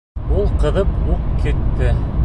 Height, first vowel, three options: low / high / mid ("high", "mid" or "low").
high